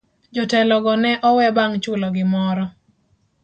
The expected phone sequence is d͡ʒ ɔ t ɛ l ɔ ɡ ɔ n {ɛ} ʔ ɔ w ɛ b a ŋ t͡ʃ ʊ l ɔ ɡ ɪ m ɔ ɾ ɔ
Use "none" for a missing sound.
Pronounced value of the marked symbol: ɛ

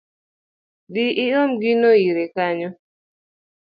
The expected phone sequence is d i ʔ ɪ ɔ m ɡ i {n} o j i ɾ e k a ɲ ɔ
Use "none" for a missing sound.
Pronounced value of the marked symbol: n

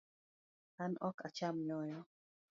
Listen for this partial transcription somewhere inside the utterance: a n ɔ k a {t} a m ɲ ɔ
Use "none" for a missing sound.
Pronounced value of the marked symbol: t͡ʃ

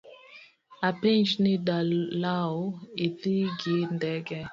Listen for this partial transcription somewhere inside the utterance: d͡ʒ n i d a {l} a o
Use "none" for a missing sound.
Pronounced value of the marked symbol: l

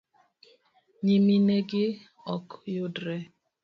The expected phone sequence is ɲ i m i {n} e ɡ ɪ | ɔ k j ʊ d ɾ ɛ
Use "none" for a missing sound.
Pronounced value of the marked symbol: n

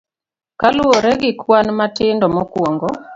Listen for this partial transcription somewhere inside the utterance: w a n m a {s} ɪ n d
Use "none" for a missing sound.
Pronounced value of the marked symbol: t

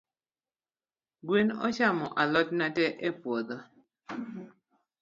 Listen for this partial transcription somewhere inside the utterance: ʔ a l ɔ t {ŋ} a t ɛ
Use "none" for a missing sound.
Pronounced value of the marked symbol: n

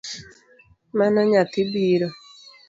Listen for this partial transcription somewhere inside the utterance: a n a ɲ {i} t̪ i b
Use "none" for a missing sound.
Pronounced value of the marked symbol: a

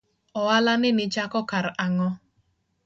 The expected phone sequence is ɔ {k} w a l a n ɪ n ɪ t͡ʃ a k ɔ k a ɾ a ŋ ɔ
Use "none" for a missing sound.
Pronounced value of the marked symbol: none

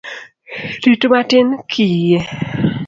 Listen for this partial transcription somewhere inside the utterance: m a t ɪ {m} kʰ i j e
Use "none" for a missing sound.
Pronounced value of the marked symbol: n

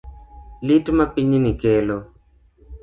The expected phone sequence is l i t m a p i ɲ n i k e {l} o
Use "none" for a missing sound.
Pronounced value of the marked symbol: l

